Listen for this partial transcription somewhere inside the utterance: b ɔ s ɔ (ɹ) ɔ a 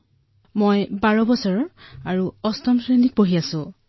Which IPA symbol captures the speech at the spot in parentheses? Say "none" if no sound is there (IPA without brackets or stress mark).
ɹ